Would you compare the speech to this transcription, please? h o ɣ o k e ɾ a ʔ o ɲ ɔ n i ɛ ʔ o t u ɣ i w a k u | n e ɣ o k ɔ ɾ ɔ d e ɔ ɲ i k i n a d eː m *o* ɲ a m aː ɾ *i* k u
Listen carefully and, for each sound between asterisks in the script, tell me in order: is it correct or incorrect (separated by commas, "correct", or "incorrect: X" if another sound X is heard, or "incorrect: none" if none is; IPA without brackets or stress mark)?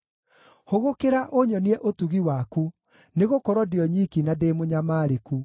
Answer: correct, incorrect: e